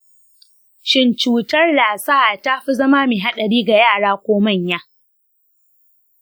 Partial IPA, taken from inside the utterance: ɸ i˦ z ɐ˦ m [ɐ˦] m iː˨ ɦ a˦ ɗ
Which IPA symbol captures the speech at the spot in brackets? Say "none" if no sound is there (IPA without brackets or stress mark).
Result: a˦